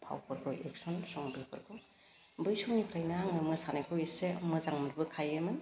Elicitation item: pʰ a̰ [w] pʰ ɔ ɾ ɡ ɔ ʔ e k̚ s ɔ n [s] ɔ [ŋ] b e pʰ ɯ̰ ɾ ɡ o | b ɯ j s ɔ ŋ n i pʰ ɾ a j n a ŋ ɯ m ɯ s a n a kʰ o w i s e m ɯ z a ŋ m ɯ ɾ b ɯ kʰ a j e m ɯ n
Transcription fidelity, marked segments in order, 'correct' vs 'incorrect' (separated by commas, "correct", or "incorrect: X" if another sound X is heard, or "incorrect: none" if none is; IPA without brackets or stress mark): correct, correct, correct